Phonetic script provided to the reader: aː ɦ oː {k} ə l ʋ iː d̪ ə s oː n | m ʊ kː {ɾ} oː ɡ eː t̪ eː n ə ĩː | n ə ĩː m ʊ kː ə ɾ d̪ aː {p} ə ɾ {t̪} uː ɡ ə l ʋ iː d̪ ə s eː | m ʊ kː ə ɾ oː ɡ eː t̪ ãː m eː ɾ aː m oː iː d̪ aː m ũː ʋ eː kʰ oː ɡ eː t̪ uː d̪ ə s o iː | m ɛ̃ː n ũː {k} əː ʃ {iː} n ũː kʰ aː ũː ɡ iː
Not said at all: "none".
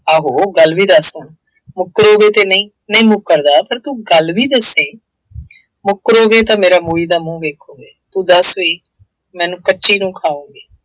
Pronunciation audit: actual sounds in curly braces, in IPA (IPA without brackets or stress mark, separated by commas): ɡ, ɾ, p, t̪, k, iː